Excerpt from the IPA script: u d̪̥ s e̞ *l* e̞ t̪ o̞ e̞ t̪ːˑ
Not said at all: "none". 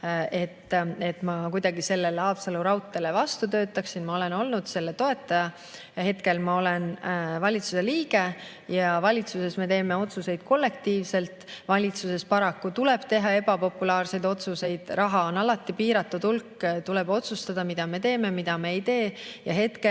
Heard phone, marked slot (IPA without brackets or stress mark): lː